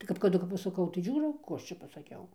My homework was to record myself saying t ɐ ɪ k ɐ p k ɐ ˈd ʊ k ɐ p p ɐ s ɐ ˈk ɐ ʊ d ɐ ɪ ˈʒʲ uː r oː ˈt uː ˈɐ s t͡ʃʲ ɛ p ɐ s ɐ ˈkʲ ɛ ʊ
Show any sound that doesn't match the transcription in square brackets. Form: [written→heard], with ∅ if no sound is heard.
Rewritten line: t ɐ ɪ k ɐ p k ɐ ˈd ʊ k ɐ p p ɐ s ɐ ˈk ɐ ʊ [d→t] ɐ ɪ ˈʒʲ uː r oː [ˈt→ˈk] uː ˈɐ [s→ʃ] t͡ʃʲ ɛ p ɐ s ɐ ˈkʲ ɛ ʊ